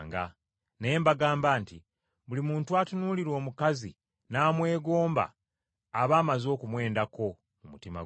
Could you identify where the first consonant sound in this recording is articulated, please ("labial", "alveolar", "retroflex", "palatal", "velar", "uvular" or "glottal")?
velar